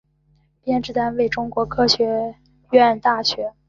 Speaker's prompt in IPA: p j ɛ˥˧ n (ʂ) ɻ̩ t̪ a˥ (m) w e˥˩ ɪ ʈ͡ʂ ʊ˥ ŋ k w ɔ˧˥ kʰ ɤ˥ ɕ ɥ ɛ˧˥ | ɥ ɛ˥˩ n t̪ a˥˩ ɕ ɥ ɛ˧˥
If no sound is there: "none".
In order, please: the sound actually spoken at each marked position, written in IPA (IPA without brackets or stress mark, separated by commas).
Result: ʈ͡ʂ, n